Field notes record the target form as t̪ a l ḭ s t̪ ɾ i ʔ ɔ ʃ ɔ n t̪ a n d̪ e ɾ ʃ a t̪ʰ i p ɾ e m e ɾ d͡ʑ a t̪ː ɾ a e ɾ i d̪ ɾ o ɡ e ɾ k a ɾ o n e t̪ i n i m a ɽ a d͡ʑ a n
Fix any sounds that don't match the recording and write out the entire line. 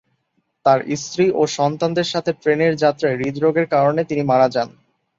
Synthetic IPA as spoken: t̪ a ɾ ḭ s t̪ ɾ i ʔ o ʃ ɔ n t̪ a n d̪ e ɾ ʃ a t̪ʰ e p ɾ e n e ɾ d͡ʑ a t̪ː ɾ a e ɾ i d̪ ɾ o ɡ e ɾ k a ɾ o n e t̪ i n i m a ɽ a d͡ʑ a n